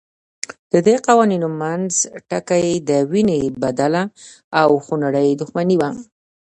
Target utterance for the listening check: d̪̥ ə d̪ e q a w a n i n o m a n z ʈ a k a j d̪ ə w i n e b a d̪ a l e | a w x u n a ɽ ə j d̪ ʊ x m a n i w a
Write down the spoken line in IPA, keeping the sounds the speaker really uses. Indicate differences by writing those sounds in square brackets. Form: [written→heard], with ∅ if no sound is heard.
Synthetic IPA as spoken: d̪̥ ə d̪ e q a w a n i n o m a n z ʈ a k a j d̪ ə w i n e b a d̪ a l [e→a] | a w x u n a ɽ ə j d̪ ʊ x m a n i w a